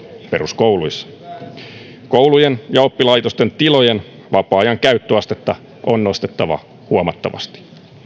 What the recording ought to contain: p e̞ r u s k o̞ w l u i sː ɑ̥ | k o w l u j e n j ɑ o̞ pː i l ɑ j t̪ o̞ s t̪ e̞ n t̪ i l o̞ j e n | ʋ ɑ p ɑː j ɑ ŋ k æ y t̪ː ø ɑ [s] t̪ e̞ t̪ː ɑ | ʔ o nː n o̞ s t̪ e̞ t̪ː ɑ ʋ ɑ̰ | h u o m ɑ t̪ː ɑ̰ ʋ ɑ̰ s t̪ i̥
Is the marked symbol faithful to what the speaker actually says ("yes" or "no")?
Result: yes